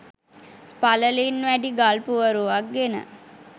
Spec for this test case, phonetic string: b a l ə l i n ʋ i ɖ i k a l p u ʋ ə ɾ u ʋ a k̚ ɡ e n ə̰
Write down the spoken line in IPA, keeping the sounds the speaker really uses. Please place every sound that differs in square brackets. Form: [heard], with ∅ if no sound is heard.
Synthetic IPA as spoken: [p] a l ə l i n ʋ [æ] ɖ i [ɡ] a l p u ʋ ə ɾ u ʋ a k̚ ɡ e n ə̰